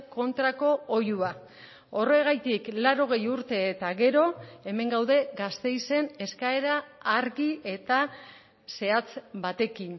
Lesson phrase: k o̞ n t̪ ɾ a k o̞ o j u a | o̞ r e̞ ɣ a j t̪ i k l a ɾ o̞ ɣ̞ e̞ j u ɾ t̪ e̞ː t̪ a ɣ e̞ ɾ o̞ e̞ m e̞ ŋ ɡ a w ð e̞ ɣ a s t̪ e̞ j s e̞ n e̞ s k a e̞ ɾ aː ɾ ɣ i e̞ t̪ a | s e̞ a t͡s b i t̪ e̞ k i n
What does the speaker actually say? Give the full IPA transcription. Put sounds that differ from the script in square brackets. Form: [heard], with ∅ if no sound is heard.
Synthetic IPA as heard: k o̞ n t̪ ɾ a k o̞ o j u a | o̞ r e̞ ɣ a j t̪ i k l a ɾ o̞ ɣ̞ e̞ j u ɾ t̪ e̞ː t̪ a ɣ e̞ ɾ o̞ e̞ m e̞ ŋ ɡ a w ð e̞ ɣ a s t̪ e̞ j s e̞ n e̞ s k a e̞ ɾ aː ɾ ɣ i e̞ t̪ a | s e̞ a t͡s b [a] t̪ e̞ k i n